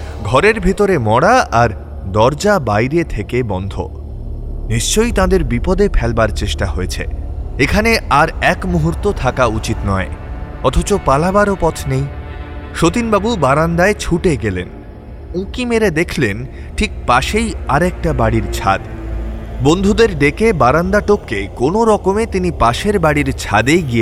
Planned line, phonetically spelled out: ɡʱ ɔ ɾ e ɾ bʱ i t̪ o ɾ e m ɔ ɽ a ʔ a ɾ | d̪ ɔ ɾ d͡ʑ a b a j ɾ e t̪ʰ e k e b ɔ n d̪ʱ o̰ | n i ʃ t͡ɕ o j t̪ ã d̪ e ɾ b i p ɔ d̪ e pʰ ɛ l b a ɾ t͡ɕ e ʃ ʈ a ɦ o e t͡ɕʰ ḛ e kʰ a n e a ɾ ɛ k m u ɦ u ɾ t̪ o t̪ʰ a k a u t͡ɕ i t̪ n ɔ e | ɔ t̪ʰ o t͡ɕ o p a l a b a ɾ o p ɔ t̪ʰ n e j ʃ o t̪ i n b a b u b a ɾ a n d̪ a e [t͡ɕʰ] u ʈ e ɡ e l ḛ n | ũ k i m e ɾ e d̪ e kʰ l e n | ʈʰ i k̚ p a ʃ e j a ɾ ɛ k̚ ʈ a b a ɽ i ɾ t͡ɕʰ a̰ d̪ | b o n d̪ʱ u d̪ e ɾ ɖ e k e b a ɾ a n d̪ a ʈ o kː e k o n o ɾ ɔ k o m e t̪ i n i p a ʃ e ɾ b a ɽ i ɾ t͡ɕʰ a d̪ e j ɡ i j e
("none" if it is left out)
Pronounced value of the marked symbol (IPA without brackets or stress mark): t͡ɕʰ